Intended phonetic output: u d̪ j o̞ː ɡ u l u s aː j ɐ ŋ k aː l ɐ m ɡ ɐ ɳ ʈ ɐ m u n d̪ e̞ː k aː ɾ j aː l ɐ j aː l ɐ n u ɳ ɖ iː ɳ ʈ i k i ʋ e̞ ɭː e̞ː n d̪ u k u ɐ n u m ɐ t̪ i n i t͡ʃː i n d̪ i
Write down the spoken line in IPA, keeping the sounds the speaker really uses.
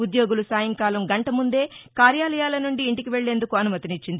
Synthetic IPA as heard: u d̪ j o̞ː ɡ u l u s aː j ɐ ŋ k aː l ɐ m ɡ ɐ ɳ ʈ ɐ m u n d̪ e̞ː k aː ɾ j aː l ɐ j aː l ɐ n u ɳ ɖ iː ɳ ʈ i k i ʋ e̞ ɭː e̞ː n d̪ u k u ɐ n u m ɐ t̪ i n i t͡ʃː i n d̪ i